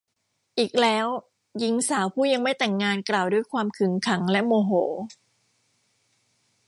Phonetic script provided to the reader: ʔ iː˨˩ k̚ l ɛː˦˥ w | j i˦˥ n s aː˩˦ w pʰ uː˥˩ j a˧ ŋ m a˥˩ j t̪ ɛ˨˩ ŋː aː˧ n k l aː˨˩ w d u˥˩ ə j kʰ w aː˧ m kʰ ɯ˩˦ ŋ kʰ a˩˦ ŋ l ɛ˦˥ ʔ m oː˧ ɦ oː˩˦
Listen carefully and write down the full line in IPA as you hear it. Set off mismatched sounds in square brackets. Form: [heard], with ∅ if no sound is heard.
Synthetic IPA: ʔ iː˨˩ k̚ l ɛː˦˥ w | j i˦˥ [ŋ] s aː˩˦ w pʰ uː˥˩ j a˧ ŋ m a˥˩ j t̪ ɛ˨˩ ŋː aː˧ n k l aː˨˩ w d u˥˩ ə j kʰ w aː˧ m kʰ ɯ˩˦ ŋ kʰ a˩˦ ŋ l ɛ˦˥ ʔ m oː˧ ɦ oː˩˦